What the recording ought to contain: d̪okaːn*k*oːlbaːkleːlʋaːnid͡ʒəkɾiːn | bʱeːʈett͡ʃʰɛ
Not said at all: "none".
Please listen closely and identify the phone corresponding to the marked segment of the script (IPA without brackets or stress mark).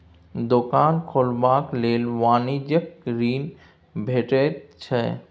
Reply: kʰ